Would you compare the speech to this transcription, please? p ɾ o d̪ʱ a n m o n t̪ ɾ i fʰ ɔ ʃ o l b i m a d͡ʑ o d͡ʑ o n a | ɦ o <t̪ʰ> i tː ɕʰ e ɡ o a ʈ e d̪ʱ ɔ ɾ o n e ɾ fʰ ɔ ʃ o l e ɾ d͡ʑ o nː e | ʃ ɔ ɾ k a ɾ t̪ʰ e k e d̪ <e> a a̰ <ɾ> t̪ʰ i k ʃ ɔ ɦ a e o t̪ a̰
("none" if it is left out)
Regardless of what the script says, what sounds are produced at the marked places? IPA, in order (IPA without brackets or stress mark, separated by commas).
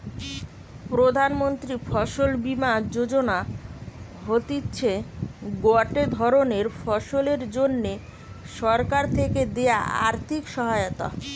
t̪, e, ɾ